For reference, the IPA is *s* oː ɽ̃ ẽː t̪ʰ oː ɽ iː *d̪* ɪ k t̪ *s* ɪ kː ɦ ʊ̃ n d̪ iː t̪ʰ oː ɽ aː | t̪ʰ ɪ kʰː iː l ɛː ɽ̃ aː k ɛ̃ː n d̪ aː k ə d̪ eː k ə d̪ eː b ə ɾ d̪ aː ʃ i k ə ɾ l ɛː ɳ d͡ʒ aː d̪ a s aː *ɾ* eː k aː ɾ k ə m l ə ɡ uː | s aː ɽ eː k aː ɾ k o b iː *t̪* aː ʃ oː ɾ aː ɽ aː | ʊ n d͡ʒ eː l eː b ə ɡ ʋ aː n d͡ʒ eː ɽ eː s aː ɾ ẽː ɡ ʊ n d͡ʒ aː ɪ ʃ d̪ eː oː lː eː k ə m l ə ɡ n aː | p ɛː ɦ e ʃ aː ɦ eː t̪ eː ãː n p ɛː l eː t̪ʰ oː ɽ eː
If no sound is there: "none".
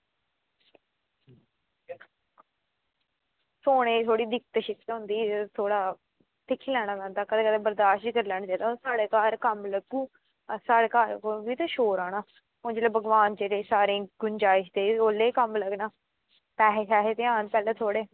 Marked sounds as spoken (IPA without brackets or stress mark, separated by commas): s, d̪, ʃ, ɽ, t̪